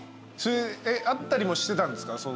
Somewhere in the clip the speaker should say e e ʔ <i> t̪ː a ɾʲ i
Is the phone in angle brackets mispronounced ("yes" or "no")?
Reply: yes